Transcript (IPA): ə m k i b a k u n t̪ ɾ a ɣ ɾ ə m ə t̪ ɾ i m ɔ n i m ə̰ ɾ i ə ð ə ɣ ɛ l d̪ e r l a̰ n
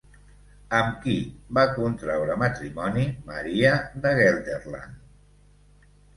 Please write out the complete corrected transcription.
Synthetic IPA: ə m k i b a k u n t̪ ɾ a w ɾ ə m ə t̪ ɾ i m ɔ n i m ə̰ ɾ i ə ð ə ɣ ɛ l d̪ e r l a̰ n